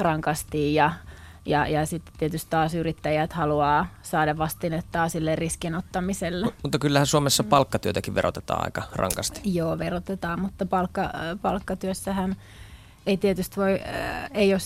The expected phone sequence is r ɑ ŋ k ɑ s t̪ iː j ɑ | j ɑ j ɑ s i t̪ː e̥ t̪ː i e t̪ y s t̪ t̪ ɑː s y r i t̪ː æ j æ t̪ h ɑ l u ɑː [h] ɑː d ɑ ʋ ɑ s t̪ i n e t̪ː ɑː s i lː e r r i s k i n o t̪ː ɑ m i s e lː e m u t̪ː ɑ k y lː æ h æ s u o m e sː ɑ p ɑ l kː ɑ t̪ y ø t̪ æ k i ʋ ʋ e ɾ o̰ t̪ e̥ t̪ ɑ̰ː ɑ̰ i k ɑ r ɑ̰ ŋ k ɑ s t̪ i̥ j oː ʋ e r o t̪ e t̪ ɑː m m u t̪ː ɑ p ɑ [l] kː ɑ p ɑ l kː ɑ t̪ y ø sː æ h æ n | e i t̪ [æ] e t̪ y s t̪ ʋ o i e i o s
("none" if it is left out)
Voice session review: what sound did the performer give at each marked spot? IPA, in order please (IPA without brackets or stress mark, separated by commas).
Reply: s, l, i